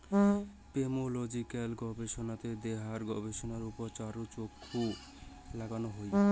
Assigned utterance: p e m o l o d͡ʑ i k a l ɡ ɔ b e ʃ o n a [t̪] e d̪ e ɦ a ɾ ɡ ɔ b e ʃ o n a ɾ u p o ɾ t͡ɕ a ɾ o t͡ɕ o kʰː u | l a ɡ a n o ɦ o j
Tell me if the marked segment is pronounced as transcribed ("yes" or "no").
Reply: yes